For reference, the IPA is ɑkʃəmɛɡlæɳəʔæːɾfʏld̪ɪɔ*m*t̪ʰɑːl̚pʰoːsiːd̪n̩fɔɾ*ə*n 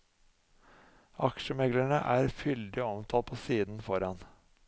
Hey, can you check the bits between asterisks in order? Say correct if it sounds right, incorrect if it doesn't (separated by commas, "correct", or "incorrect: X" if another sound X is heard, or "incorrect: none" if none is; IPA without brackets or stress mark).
correct, incorrect: ɑ